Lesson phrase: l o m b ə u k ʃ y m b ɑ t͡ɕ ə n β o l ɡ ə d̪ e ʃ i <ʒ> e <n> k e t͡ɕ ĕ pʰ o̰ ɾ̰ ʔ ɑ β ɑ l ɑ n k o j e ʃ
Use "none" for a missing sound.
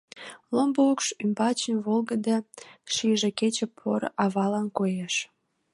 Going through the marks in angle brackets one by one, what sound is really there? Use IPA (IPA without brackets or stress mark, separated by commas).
ʒ, none